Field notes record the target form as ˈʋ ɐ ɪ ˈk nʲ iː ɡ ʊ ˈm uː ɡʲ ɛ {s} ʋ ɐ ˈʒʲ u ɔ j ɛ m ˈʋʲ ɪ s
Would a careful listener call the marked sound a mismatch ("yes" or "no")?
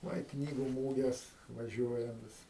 no